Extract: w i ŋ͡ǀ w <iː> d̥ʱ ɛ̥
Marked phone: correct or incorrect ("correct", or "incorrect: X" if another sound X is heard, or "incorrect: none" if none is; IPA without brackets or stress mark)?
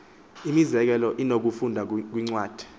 incorrect: aː